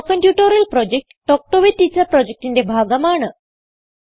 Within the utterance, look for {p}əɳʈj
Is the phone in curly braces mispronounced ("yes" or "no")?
yes